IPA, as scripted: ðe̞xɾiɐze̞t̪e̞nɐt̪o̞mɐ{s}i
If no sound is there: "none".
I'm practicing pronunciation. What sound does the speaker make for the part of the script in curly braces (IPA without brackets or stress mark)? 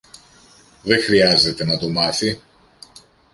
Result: θ